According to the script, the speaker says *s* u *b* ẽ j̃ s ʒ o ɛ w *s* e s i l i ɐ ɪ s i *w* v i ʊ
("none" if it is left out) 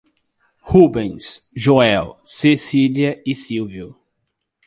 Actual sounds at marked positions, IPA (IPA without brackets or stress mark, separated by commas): h, b, s, w